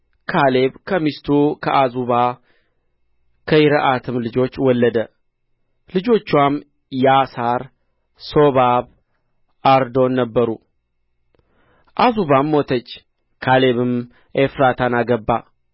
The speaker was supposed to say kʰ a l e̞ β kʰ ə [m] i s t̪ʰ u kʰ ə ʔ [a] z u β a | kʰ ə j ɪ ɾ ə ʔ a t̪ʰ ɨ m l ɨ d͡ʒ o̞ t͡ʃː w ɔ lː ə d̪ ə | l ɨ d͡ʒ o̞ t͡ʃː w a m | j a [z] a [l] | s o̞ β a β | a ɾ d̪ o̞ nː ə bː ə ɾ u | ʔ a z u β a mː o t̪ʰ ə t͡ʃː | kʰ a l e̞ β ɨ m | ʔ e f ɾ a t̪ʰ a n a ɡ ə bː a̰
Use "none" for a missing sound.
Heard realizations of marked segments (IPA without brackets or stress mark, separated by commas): m, a, s, ɾ